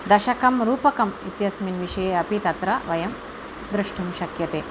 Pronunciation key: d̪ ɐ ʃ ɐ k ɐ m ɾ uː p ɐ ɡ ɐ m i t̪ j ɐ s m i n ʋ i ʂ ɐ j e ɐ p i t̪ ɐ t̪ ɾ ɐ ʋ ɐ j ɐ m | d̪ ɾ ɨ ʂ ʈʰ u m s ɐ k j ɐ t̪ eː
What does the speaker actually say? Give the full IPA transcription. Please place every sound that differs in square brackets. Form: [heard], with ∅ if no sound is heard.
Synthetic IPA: d̪ ɐ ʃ ɐ k ɐ m ɾ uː p ɐ [k] ɐ m i t̪ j ɐ s m i n ʋ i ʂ ɐ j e ɐ p i t̪ ɐ t̪ ɾ ɐ ʋ ɐ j ɐ m | d̪ ɾ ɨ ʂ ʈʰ u m [ʃ] ɐ k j ɐ t̪ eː